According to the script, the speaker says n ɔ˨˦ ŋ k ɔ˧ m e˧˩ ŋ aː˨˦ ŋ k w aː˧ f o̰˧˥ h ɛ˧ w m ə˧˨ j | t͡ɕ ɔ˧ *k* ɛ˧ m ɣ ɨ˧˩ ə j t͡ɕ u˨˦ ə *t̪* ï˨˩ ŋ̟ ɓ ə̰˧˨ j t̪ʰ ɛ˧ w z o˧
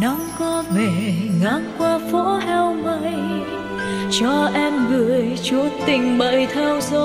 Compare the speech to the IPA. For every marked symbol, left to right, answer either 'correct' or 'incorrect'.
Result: incorrect, correct

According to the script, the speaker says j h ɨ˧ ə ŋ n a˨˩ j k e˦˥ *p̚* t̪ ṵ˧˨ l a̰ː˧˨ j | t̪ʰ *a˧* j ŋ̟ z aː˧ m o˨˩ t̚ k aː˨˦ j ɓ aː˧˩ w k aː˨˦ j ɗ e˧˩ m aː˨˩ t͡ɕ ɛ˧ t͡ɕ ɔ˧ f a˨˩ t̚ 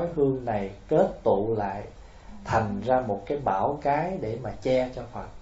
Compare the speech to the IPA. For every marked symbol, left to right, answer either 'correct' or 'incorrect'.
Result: incorrect, incorrect

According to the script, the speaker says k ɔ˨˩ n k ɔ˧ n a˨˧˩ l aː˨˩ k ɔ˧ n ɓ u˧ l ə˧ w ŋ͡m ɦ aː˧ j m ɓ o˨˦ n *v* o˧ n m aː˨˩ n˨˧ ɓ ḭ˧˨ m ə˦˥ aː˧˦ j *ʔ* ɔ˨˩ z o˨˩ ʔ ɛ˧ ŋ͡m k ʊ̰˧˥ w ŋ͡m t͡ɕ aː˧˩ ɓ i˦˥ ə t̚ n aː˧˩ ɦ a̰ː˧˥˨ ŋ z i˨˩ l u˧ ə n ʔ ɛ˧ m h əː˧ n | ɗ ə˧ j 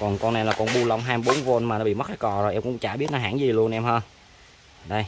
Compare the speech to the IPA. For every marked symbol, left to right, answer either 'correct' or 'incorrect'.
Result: correct, incorrect

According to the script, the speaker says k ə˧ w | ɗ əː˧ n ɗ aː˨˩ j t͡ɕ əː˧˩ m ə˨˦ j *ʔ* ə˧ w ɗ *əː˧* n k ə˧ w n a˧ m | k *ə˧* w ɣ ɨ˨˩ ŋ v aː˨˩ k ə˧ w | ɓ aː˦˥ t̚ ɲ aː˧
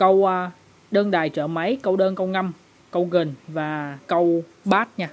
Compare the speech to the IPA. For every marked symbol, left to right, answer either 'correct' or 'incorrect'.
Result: incorrect, correct, correct

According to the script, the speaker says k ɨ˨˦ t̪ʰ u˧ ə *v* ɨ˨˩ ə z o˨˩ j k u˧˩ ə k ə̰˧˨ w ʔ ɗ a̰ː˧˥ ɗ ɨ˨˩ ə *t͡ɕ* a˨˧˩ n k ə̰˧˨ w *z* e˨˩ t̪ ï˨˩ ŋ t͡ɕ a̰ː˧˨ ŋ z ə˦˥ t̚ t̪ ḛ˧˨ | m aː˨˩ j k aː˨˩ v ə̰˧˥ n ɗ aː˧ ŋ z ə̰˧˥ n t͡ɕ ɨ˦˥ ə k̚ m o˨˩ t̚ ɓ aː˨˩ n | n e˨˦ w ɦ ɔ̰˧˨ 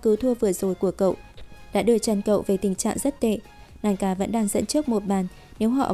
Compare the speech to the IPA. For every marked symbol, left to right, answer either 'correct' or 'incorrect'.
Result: correct, correct, incorrect

